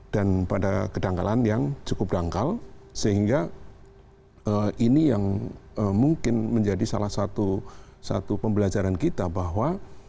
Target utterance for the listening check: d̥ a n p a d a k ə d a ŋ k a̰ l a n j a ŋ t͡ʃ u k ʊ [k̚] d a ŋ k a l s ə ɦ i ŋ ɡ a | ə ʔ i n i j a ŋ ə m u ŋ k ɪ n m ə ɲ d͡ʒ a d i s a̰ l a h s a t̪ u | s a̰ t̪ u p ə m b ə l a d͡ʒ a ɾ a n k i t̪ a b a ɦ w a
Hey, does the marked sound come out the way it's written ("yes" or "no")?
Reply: no